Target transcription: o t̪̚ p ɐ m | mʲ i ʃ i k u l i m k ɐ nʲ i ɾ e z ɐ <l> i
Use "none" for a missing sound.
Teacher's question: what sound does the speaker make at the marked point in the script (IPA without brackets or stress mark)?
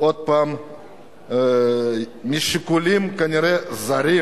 ɾ